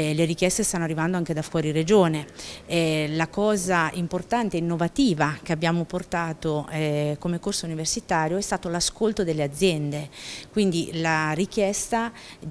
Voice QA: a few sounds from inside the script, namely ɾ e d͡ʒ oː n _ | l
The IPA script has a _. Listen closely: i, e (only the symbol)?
e